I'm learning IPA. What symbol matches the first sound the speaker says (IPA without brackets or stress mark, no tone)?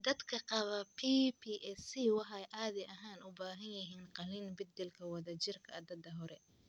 d̪